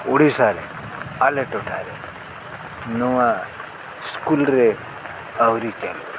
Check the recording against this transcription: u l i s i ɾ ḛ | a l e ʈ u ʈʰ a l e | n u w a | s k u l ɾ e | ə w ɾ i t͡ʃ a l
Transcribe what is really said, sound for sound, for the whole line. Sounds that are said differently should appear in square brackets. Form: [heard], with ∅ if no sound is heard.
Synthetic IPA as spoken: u [ɽ] i s [a] ɾ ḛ | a l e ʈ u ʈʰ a [ɾ] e | n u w a | s k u l ɾ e | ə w ɾ i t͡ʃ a l

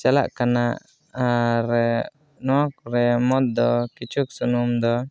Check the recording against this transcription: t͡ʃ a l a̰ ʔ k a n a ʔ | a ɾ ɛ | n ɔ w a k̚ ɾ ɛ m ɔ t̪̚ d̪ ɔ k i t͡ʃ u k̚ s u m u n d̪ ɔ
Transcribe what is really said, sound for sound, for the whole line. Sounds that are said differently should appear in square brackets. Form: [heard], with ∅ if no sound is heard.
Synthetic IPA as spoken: t͡ʃ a l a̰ ʔ k a n a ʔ | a ɾ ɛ | n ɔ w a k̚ ɾ ɛ m ɔ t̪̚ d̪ ɔ k i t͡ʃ u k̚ s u [n] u [m] d̪ ɔ

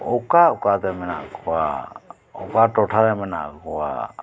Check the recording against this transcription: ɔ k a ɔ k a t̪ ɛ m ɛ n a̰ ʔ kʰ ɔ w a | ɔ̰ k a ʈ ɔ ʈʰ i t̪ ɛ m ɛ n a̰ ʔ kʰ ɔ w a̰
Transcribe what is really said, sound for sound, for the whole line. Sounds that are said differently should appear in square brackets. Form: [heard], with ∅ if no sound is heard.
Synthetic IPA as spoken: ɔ k a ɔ k a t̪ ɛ m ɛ n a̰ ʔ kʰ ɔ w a | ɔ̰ k a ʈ ɔ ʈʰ [a] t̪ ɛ m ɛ n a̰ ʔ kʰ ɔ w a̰

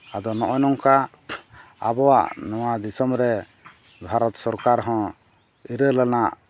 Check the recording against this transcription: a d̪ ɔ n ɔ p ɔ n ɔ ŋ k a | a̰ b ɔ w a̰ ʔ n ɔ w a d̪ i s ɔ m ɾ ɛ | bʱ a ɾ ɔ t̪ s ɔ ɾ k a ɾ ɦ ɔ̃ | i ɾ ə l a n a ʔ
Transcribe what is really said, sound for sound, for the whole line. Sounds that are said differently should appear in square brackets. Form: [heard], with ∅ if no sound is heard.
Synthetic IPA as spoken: a d̪ ɔ n ɔ [ʔ] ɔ n ɔ ŋ k a | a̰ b ɔ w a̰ ʔ n ɔ w a d̪ i s ɔ m ɾ ɛ | bʱ a ɾ ɔ t̪ s ɔ ɾ k a ɾ ɦ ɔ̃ | i ɾ ə l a n a ʔ

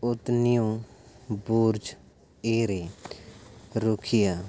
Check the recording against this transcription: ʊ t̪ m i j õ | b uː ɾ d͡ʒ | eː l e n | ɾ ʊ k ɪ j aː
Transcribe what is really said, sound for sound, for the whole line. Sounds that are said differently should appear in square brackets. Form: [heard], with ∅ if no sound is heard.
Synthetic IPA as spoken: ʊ t̪ [n] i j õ | b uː ɾ d͡ʒ | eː [ɾ] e [∅] | ɾ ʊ [kʰ] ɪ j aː

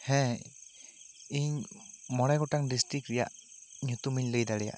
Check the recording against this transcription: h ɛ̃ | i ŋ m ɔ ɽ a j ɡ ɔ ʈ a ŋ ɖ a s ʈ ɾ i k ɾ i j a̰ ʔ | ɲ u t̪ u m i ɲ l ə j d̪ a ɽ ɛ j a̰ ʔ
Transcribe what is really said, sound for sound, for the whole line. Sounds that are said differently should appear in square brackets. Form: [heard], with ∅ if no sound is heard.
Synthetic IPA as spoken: h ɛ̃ | i [ɲ] m ɔ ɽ a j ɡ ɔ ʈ a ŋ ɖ [i] s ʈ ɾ i k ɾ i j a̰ ʔ | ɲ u t̪ u m i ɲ l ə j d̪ a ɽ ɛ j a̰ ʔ

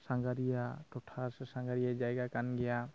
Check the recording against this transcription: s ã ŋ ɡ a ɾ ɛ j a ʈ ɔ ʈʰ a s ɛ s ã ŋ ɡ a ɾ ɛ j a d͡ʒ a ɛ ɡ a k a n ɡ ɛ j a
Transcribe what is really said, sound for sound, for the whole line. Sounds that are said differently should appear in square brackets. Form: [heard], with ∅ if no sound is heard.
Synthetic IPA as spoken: s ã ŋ ɡ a ɾ [i] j a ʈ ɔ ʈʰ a s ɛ s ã ŋ ɡ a ɾ [i] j a d͡ʒ a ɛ ɡ a k a n ɡ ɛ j a

